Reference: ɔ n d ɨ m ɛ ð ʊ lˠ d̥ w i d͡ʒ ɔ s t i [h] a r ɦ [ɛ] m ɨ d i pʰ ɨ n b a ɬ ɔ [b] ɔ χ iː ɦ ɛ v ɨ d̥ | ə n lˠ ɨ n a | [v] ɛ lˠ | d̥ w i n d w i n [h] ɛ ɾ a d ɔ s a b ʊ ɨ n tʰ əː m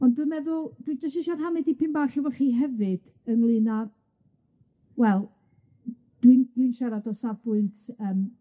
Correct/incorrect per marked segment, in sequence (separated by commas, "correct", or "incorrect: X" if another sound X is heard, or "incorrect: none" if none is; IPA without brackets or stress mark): incorrect: ʃ, incorrect: a, incorrect: v, incorrect: w, incorrect: ʃ